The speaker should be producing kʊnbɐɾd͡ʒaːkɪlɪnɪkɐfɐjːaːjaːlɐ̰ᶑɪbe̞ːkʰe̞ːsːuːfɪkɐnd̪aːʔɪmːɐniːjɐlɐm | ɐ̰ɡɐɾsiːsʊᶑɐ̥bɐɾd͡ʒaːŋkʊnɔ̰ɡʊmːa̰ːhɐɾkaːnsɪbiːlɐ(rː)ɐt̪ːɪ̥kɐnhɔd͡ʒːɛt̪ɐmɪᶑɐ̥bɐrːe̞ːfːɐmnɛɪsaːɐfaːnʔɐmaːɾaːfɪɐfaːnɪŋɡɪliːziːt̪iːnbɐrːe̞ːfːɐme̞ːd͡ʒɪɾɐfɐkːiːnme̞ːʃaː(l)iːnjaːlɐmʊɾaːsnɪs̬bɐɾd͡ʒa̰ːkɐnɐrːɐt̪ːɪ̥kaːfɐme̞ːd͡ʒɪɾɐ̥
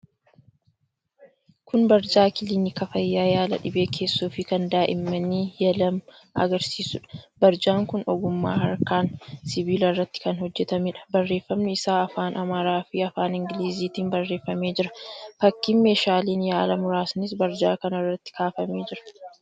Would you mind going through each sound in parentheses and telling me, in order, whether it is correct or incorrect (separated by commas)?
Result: correct, correct